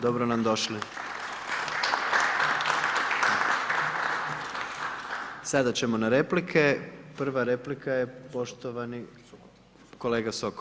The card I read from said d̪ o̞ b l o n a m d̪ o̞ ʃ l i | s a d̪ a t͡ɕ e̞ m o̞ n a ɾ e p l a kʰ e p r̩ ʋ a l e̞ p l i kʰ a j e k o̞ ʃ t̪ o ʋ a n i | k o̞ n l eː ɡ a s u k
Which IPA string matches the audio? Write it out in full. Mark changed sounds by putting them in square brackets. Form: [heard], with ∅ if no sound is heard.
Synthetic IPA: d̪ o̞ b [ɾ] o n a m d̪ o̞ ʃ l i | s a d̪ a t͡ɕ e̞ m o̞ n a ɾ e p l [i] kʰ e p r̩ ʋ a [ɾ] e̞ p l i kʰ a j e [p] o̞ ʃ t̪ o ʋ a n i | k o̞ [∅] l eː ɡ a s [o] k

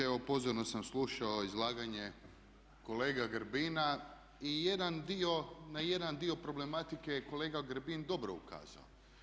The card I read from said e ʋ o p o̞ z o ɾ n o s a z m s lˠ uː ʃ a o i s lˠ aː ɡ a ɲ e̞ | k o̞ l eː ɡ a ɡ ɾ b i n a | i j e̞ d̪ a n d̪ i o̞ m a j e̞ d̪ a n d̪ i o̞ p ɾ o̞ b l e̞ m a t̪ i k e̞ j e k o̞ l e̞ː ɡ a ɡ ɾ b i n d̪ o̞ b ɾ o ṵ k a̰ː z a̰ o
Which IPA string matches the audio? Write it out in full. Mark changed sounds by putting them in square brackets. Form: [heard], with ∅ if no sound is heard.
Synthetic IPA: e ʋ o p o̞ z o ɾ n o s a [∅] m s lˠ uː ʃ a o i [z] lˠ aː ɡ a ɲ e̞ | k o̞ l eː ɡ a ɡ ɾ b i n a | i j e̞ d̪ a n d̪ i o̞ [n] a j e̞ d̪ a n d̪ i o̞ p ɾ o̞ b l e̞ m a t̪ i k e̞ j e k o̞ l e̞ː ɡ a ɡ ɾ b i n d̪ o̞ b ɾ o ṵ k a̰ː z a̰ o

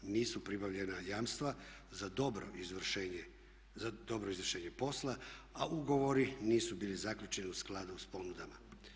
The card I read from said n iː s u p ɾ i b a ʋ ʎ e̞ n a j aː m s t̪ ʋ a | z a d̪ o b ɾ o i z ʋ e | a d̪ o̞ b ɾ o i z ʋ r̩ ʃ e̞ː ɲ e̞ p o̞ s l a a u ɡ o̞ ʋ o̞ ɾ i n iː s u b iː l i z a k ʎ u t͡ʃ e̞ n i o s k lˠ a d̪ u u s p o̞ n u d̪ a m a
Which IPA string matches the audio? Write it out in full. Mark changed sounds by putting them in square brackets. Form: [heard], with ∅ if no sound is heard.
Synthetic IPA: n iː s u p ɾ i b a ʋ ʎ e̞ n a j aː m s t̪ ʋ a | z a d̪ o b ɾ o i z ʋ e | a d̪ o̞ b ɾ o i z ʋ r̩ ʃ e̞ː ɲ e̞ p o̞ s l a a u ɡ o̞ ʋ o̞ ɾ i n iː s u b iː l i z a k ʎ u t͡ʃ e̞ n i [u] s k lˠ a d̪ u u s p o̞ n u d̪ a m a

